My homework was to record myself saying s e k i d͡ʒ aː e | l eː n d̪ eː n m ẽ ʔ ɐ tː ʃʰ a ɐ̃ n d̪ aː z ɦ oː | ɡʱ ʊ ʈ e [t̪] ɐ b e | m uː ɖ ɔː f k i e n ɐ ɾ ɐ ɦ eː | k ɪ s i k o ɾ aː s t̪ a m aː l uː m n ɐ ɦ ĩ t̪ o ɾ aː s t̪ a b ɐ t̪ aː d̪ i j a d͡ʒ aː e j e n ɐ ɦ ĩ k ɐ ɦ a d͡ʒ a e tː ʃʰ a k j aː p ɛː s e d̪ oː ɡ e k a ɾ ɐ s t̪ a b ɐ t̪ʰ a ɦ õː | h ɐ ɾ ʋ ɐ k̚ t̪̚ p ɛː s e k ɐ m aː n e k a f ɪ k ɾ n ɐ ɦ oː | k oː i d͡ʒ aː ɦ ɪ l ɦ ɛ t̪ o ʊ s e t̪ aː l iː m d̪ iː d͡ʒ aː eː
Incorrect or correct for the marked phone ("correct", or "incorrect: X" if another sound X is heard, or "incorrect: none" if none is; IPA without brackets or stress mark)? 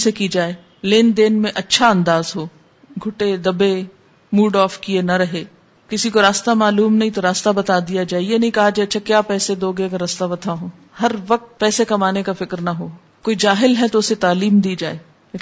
incorrect: d̪